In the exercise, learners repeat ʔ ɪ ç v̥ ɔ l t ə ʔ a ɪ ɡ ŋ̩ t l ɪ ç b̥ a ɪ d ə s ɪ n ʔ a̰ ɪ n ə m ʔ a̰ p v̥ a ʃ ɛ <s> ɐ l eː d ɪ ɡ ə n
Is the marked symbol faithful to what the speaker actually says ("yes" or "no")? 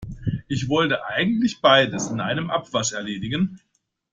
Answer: no